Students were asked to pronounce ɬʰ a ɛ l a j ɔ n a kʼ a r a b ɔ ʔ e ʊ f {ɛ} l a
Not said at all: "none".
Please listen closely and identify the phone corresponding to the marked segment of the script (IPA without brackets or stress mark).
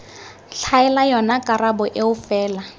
ɛː